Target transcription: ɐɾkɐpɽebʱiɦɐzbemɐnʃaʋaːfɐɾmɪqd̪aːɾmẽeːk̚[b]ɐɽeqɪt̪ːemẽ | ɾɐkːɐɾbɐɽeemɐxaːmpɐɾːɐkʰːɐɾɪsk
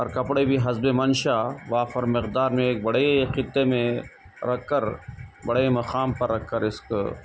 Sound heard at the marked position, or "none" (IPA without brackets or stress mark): b